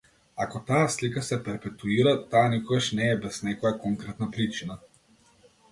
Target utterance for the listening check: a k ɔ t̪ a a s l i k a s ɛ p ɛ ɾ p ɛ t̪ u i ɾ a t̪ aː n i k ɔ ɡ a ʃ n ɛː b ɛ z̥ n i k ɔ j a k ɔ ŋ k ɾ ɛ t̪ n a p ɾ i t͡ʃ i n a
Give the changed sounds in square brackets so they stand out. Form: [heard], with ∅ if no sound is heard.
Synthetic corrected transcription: a k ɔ t̪ a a s l i k a s ɛ p ɛ ɾ p ɛ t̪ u i ɾ a t̪ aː n i k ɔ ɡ a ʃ n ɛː b ɛ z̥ n [ɛ] k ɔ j a k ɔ ŋ k ɾ ɛ t̪ n a p ɾ i t͡ʃ i n a